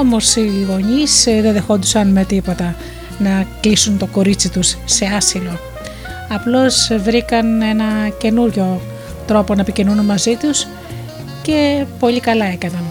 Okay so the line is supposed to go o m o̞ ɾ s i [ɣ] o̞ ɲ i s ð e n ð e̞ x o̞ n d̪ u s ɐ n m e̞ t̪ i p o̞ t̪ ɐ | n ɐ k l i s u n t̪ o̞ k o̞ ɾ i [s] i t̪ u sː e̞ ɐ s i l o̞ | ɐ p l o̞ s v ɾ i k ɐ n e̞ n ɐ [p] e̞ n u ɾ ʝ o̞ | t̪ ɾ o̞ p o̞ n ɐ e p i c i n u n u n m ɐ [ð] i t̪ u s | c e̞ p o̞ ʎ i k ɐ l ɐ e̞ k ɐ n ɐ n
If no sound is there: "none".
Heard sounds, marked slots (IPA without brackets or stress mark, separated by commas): ɣ, t͡s, c, z